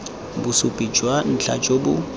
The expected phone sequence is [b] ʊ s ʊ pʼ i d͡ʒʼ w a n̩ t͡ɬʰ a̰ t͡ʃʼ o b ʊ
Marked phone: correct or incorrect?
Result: correct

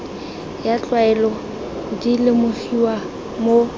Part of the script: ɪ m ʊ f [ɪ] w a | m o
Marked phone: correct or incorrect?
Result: incorrect: i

